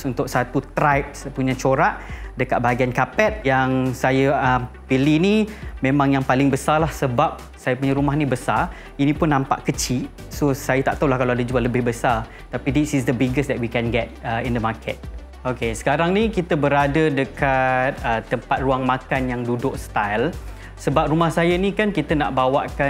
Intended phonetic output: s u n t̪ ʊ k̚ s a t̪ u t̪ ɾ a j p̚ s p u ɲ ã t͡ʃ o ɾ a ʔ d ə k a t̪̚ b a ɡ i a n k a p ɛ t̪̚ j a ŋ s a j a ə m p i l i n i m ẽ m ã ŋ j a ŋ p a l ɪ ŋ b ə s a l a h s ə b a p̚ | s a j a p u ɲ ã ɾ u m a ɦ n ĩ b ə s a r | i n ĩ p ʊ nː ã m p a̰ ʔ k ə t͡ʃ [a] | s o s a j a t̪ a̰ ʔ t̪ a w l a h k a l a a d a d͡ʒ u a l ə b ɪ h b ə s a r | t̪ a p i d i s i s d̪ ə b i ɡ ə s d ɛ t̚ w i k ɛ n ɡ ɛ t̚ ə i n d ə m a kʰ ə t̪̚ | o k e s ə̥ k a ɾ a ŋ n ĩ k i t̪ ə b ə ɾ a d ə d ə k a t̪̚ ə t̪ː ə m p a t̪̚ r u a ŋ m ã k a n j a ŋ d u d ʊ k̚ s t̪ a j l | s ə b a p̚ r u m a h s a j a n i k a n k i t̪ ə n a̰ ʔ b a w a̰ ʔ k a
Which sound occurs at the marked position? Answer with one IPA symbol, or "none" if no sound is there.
i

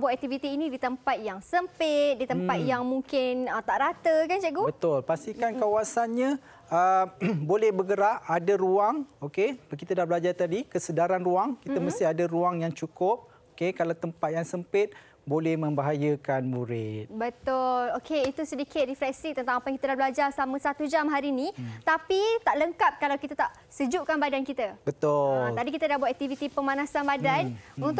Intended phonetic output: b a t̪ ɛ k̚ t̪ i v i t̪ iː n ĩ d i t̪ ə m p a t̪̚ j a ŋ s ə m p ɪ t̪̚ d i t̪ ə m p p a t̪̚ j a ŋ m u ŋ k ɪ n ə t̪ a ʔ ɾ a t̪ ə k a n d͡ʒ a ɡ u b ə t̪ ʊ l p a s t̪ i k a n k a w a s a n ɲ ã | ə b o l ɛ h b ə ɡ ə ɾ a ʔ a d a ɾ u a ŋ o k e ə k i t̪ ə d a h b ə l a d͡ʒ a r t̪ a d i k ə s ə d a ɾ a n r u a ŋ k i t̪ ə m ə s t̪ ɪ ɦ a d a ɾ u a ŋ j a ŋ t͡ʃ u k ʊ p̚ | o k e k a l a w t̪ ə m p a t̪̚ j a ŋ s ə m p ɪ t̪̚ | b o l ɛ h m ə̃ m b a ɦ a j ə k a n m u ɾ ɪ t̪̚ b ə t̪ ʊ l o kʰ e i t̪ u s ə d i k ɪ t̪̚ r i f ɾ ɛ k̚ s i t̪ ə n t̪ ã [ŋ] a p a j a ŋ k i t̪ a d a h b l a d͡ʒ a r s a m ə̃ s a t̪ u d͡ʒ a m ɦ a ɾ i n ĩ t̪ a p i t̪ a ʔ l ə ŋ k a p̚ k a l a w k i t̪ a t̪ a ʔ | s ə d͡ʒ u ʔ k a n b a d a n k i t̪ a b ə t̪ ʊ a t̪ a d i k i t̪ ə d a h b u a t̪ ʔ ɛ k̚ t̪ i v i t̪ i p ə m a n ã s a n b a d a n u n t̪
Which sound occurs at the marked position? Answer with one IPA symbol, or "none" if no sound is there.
ŋ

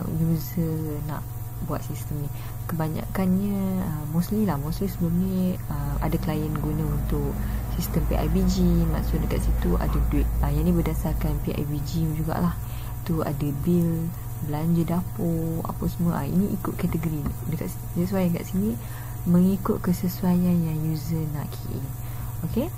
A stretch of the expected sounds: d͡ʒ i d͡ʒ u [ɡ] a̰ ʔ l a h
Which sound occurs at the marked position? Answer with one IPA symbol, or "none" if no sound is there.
ɡ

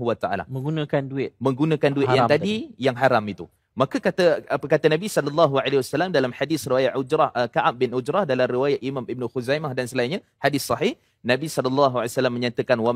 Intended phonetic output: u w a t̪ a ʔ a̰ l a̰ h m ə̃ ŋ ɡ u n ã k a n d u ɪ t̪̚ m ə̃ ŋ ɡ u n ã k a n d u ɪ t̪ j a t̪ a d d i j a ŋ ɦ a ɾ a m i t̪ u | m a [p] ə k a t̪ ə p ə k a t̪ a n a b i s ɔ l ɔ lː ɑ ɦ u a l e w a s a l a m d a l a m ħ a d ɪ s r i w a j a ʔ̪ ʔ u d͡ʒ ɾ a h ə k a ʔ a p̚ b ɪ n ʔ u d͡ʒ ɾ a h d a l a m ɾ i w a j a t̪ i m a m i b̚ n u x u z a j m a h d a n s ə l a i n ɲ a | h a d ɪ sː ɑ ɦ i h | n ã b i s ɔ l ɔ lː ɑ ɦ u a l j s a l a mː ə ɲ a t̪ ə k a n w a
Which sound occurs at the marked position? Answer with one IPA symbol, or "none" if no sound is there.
k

